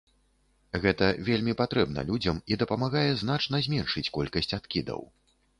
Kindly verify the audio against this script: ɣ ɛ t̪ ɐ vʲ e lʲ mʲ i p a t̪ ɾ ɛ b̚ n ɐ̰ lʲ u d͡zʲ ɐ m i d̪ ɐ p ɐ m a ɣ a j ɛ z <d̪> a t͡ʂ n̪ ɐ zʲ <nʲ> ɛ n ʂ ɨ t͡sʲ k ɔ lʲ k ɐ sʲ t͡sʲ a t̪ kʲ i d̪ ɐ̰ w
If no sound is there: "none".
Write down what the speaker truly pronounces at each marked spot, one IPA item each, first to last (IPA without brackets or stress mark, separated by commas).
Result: n̪, mʲ